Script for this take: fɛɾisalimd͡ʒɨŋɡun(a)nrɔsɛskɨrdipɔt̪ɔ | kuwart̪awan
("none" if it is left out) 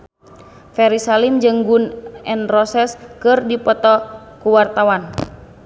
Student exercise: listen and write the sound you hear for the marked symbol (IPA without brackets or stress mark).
ɛ